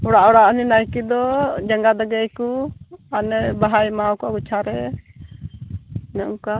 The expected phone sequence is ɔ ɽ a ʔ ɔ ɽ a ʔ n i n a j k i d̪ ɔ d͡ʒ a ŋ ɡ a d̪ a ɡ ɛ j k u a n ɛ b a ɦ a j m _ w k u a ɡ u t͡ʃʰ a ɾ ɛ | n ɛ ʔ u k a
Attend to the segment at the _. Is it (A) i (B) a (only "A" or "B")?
B